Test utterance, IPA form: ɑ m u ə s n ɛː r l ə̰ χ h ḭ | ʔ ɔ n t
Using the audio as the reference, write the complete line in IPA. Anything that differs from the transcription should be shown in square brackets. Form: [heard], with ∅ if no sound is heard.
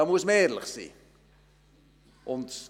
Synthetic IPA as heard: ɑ m u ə s [m] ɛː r l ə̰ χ [s] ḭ | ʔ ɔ n t